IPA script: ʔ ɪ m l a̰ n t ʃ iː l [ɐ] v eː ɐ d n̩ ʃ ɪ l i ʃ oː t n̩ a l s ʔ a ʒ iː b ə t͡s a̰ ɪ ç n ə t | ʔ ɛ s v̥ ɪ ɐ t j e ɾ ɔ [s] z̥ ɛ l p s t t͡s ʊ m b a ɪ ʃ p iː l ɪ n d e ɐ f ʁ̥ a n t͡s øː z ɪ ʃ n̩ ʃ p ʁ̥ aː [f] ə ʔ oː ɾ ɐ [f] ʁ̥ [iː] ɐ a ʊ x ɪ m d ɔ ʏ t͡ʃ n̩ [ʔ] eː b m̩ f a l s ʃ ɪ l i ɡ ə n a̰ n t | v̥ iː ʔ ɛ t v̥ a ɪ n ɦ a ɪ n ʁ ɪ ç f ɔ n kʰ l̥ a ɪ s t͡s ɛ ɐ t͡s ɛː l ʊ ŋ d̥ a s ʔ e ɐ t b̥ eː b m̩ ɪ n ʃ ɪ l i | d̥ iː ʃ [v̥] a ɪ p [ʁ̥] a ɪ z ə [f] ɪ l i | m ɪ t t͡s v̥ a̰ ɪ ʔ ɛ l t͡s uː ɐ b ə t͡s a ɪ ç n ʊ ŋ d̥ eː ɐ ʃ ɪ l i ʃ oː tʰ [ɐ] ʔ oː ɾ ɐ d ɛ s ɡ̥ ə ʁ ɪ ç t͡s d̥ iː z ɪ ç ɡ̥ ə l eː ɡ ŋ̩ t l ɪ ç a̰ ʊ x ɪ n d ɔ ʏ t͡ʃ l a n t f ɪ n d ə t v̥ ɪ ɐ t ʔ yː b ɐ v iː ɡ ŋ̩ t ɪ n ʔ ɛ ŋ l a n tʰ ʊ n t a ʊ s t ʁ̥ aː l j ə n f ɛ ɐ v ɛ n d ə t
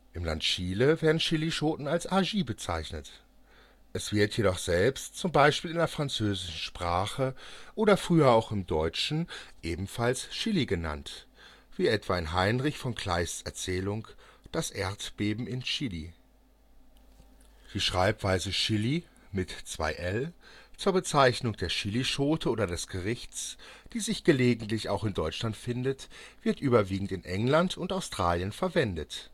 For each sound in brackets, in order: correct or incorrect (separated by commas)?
incorrect, incorrect, incorrect, correct, incorrect, correct, incorrect, incorrect, incorrect, incorrect